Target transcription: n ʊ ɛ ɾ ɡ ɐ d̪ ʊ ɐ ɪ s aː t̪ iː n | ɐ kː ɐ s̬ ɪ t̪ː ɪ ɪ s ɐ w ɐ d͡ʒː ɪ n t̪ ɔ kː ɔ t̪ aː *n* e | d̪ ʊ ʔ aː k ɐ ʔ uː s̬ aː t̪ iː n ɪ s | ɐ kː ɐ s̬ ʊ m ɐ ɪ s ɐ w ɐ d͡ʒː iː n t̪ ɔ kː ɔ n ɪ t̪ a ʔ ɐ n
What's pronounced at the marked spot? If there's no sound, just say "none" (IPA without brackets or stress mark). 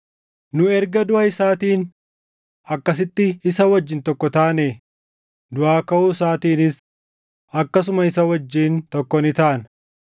n